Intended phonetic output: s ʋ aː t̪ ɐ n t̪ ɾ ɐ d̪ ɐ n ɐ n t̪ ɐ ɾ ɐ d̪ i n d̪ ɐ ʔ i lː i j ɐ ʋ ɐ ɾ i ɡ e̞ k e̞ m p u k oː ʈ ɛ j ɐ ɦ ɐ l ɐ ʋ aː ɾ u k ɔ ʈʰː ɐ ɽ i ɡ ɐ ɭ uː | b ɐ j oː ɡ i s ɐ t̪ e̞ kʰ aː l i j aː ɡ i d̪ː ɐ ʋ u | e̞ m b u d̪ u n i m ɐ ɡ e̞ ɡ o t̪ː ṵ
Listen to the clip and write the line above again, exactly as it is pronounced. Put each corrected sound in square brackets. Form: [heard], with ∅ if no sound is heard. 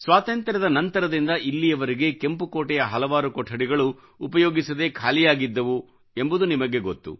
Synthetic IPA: s ʋ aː t̪ ɐ n t̪ ɾ ɐ d̪ ɐ n ɐ n t̪ ɐ ɾ ɐ d̪ i n d̪ ɐ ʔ i lː i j ɐ ʋ ɐ ɾ i ɡ e̞ k e̞ m p u k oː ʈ ɛ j ɐ ɦ ɐ l ɐ ʋ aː ɾ u k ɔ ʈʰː ɐ ɽ i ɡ ɐ ɭ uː | [p] ɐ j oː ɡ i s ɐ [d̪] e̞ kʰ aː l i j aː ɡ i d̪ː ɐ ʋ u | e̞ m b u d̪ u n i m ɐ ɡ e̞ ɡ o t̪ː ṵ